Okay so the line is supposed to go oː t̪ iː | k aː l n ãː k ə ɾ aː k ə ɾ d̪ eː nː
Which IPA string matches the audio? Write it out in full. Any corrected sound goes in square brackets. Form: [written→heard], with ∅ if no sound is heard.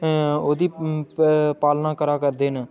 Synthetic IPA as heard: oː [t̪→d̪] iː | [k→p] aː l n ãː k ə ɾ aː k ə ɾ d̪ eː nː